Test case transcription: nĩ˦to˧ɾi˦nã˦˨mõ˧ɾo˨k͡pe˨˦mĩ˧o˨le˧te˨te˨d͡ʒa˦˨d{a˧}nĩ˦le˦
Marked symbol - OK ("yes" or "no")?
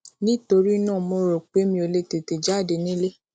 no